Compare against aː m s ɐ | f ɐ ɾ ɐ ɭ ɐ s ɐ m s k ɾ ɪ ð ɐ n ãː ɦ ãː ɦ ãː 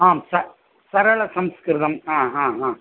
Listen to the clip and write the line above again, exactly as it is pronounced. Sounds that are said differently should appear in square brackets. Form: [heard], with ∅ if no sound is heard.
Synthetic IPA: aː m s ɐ | [s] ɐ ɾ ɐ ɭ ɐ s ɐ m s k ɾ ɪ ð ɐ [m] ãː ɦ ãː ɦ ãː